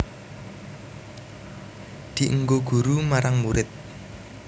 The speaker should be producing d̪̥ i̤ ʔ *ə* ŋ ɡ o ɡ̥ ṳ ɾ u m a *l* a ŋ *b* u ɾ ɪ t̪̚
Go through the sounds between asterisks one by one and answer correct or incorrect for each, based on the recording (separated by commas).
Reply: correct, incorrect, incorrect